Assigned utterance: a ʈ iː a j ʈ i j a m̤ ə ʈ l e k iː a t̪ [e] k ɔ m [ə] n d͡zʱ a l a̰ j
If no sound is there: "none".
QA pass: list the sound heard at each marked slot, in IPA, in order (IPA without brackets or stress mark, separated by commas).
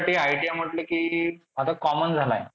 a, ə